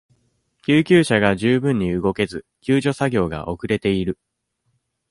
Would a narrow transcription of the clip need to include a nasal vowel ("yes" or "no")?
yes